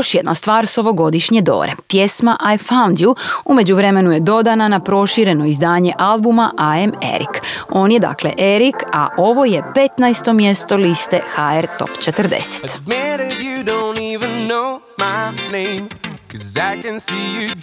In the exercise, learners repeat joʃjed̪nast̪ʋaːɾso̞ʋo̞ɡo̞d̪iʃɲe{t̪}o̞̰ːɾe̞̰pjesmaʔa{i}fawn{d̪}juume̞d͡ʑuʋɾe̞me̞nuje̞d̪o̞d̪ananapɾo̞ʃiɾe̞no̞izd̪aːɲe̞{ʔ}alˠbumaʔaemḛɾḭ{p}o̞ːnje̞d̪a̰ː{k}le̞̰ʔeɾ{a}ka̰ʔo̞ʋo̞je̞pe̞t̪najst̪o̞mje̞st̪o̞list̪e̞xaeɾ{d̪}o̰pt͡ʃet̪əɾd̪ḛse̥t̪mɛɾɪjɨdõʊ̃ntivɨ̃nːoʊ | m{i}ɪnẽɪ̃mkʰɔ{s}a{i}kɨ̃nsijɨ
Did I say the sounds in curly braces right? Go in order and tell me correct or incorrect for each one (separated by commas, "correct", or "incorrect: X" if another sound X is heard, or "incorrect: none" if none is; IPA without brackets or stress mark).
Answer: incorrect: d̪, incorrect: j, correct, correct, incorrect: k, correct, incorrect: i, incorrect: t̪, incorrect: a, incorrect: z, incorrect: ɪ